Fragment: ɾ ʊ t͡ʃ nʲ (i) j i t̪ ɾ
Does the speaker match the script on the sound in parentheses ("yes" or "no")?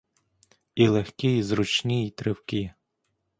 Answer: yes